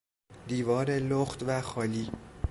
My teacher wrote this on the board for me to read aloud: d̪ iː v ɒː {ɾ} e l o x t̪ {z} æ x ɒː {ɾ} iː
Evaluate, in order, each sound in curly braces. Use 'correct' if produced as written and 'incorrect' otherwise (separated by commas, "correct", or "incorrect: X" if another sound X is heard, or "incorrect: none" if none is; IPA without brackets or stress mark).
correct, incorrect: v, incorrect: l